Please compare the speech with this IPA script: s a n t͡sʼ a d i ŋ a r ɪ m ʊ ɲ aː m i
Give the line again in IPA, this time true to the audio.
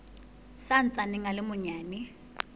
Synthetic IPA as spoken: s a n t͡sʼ a n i ŋ a l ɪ m ʊ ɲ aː n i

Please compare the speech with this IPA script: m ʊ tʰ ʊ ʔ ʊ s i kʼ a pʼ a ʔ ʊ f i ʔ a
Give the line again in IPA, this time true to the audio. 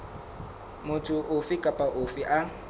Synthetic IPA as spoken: m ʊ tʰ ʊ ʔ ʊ f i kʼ a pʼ a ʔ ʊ f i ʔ a

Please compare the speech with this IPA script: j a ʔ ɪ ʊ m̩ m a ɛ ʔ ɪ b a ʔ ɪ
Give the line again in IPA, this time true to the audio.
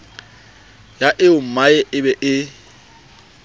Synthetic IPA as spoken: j a ʔ ɪ ʊ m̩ m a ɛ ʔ ɪ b ɛ ʔ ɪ

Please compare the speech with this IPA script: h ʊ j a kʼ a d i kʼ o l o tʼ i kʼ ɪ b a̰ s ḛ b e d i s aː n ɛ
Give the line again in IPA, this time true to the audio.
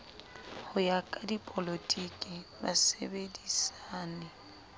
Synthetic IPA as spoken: h ʊ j a kʼ a d i pʼ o l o tʼ i kʼ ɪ b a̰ s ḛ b e d i s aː n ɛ

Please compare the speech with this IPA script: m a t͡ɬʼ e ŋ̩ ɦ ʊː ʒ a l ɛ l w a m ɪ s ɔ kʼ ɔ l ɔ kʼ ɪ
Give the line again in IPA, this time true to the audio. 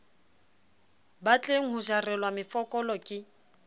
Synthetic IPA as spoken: b a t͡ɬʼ e ŋ̩ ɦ ʊ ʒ a r ɛ l w a m ɪ f ɔ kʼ ɔ l ɔ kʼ ɪ

